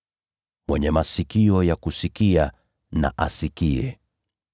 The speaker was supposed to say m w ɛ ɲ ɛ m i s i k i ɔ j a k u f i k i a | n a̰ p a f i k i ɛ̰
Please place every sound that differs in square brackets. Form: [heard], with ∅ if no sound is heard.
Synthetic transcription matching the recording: m w ɛ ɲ ɛ m [a] s i k i ɔ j a k u [s] i k i a | n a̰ [ʔ] a [s] i k i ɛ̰